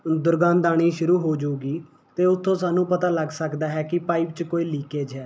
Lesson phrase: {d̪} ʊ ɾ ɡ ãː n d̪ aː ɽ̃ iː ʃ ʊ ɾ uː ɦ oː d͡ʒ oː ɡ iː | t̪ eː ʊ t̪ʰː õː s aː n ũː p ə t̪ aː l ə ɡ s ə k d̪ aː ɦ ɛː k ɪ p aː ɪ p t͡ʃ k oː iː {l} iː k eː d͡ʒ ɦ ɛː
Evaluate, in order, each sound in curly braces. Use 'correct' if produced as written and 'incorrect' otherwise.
correct, correct

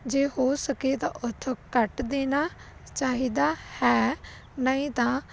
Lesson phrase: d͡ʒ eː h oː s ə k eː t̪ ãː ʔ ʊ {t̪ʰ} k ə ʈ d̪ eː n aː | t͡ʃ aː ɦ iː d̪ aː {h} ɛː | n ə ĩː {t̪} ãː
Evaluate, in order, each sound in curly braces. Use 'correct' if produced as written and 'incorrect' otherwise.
correct, correct, correct

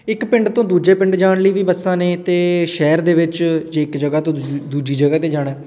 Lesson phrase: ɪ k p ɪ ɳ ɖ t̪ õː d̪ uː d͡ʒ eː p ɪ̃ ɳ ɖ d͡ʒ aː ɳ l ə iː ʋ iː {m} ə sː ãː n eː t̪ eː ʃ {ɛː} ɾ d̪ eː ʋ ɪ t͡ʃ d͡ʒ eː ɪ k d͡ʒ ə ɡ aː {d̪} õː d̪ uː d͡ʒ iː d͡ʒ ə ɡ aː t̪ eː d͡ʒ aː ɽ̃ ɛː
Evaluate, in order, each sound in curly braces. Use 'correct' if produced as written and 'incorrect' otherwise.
incorrect: b, correct, incorrect: t̪

